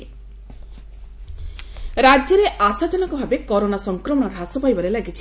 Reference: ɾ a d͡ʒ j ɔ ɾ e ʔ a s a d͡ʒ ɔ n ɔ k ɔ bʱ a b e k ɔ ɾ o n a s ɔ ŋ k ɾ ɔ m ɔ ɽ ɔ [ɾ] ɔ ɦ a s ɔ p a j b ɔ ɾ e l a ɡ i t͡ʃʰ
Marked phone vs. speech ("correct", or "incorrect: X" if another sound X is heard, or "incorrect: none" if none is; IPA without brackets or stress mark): correct